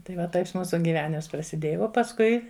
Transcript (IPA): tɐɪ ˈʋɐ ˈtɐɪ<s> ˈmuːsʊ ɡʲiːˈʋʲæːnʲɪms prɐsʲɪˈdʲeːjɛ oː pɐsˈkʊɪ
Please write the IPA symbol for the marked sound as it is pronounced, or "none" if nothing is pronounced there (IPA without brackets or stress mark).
s